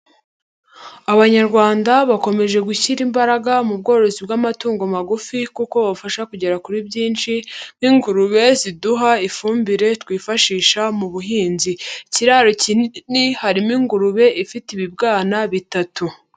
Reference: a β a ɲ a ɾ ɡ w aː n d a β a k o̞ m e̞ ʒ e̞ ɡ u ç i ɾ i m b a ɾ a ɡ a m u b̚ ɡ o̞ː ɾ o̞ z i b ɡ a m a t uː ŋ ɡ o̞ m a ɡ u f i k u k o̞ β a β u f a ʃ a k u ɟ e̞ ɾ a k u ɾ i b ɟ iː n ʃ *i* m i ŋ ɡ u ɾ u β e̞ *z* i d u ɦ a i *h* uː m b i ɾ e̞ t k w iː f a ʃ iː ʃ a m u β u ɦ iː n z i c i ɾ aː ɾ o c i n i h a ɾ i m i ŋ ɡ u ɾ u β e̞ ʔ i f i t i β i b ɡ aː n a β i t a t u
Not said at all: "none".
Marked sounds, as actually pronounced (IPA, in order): i, z, f

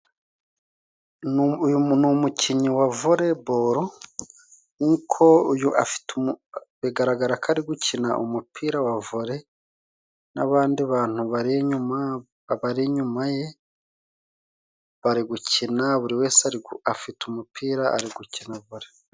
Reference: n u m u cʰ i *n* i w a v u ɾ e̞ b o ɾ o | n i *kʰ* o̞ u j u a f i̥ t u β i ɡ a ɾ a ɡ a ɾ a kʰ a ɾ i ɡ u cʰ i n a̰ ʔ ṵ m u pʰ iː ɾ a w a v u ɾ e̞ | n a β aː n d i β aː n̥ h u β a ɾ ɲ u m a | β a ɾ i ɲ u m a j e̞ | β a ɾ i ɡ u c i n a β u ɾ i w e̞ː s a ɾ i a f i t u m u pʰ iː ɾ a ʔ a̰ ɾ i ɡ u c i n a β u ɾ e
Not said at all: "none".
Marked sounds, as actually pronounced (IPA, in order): ɲ, kʰ

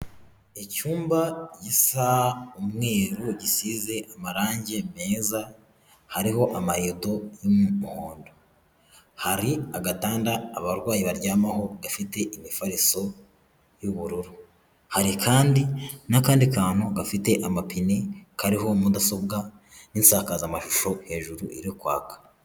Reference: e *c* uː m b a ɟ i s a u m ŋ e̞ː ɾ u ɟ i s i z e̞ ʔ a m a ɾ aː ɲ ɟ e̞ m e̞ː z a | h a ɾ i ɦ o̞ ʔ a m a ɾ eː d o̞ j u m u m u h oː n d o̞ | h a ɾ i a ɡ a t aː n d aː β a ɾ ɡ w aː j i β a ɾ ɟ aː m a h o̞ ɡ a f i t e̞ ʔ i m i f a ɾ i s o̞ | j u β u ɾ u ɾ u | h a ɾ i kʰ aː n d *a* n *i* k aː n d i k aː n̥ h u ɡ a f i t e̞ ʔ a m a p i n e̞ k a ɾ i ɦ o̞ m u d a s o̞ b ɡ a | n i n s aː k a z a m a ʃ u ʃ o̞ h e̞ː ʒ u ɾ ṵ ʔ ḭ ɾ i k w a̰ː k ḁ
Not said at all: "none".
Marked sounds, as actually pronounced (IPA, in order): c, i, a

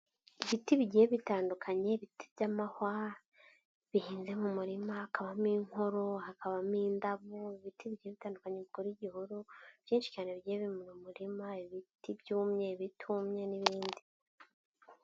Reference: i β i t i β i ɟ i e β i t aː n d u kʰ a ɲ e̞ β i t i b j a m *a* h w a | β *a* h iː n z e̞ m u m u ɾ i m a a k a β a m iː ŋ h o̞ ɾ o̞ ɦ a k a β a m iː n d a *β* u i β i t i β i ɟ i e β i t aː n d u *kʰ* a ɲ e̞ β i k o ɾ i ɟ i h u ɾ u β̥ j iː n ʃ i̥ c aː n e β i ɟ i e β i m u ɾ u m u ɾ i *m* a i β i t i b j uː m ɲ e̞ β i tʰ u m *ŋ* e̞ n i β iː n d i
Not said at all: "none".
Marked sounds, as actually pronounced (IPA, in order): a, i, β, k, m, ɲ

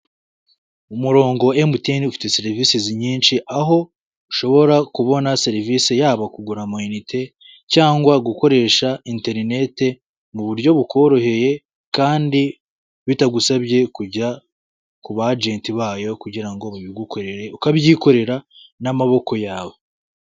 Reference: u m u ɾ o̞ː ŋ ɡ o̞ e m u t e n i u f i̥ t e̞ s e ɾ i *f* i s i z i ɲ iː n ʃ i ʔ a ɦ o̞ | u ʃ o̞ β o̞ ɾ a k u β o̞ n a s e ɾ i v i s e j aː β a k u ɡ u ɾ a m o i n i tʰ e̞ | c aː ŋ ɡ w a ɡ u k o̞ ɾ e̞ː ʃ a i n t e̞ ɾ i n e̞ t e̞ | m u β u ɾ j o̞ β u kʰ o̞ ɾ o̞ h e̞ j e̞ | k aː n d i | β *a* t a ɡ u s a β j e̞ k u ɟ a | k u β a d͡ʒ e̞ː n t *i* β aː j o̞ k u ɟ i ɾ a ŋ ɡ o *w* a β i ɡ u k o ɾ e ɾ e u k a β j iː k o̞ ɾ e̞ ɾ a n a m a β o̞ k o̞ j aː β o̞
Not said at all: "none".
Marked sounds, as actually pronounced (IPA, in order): v, i, i, β

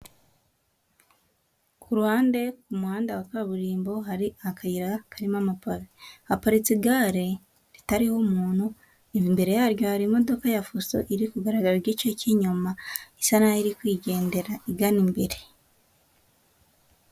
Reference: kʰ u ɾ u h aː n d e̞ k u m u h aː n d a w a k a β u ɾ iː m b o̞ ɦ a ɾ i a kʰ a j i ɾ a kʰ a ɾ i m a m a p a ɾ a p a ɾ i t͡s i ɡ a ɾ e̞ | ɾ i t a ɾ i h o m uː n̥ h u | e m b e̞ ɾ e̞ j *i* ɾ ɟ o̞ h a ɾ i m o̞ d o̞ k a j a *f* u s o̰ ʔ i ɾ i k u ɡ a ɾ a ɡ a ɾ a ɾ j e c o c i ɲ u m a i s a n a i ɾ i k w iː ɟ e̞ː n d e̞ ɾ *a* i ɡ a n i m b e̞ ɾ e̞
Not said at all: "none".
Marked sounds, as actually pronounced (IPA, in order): a, f, a

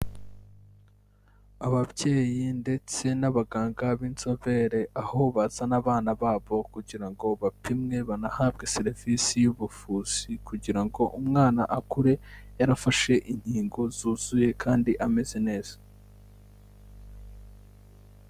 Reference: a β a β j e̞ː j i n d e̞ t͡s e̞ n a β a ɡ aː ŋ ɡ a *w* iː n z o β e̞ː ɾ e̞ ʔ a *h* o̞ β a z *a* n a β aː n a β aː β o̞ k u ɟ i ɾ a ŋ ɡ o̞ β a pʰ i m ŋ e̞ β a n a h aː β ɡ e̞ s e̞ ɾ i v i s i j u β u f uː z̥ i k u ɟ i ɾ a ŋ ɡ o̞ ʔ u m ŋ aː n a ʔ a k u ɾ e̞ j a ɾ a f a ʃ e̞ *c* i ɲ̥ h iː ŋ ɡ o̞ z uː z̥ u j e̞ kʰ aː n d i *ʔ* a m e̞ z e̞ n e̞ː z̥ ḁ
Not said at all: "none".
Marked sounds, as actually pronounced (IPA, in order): β, h, a, ʔ, ʔ

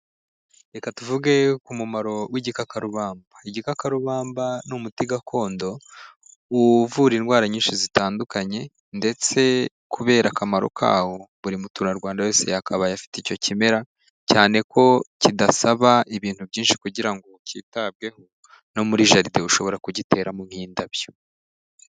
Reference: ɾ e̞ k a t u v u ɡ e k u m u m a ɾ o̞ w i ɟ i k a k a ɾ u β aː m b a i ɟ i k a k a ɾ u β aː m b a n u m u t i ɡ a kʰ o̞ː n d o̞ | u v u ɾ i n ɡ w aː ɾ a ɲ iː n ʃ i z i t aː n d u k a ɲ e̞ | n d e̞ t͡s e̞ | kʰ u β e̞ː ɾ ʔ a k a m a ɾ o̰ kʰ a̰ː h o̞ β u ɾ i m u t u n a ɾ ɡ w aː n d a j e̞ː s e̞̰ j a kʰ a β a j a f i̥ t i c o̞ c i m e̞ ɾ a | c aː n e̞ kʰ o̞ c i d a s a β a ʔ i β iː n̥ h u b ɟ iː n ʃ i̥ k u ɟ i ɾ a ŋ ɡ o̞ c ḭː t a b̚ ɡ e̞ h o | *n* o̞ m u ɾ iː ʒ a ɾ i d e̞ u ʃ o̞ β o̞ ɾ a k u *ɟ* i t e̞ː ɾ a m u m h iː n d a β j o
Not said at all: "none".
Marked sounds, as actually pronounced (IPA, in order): n, ɟ

